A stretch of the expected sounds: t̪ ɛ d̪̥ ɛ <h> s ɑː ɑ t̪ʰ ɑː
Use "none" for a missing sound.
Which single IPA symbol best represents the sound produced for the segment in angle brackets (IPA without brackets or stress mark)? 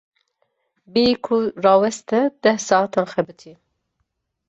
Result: h